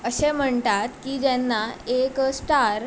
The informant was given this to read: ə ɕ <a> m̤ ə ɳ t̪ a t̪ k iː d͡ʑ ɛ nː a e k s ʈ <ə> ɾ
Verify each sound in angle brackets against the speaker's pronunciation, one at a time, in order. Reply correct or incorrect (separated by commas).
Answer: incorrect, incorrect